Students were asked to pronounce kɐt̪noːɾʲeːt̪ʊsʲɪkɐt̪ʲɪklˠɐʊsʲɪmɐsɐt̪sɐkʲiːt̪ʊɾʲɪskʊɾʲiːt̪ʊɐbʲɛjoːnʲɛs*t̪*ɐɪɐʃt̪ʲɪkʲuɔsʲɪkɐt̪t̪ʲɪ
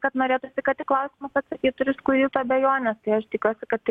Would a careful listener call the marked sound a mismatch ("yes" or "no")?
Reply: no